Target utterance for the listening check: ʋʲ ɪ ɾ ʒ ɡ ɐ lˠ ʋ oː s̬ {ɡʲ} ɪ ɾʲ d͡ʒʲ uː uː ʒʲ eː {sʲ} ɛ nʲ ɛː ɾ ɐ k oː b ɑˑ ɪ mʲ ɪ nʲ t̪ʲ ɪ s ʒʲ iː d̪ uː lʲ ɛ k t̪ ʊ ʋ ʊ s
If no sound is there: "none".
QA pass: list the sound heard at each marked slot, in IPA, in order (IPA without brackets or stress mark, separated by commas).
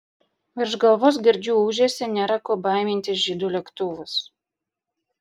ɡʲ, sʲ